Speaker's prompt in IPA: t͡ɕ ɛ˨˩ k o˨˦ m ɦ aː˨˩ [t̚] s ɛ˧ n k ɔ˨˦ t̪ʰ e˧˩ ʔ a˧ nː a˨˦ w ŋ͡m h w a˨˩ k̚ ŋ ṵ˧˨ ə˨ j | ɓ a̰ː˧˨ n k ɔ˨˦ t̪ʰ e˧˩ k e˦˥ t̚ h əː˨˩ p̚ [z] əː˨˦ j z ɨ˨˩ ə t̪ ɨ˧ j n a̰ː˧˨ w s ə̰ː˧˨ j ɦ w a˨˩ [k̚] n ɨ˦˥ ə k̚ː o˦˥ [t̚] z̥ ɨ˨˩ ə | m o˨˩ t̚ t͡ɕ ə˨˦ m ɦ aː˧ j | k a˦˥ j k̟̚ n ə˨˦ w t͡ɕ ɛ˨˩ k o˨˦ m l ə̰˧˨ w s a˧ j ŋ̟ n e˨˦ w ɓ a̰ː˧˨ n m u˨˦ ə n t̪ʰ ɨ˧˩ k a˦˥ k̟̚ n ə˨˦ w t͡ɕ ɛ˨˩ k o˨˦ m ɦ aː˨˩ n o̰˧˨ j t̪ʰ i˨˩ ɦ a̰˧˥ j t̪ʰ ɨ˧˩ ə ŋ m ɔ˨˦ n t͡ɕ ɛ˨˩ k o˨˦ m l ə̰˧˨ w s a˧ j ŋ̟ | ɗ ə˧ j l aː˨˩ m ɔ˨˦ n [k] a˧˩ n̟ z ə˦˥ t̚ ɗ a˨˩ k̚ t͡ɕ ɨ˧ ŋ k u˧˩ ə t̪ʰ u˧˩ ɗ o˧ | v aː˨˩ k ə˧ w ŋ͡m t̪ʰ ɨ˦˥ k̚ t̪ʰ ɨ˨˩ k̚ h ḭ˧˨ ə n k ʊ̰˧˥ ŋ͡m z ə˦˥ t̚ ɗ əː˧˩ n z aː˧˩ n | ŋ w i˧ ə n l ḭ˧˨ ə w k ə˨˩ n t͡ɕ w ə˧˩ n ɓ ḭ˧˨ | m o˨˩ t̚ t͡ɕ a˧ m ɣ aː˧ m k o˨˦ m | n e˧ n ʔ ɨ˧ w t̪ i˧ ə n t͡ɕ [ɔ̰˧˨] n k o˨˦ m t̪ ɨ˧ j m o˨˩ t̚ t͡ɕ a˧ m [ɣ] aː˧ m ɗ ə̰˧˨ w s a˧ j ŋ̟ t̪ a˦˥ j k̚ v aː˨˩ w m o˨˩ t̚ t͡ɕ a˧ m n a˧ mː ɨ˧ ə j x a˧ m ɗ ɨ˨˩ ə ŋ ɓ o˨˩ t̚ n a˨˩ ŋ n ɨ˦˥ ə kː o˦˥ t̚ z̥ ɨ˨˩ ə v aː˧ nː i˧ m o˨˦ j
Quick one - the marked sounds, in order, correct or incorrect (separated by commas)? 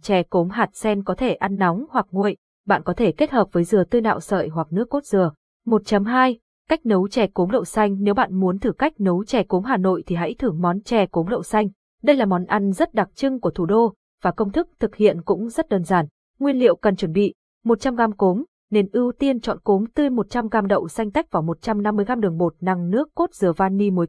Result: correct, incorrect, correct, correct, incorrect, correct, correct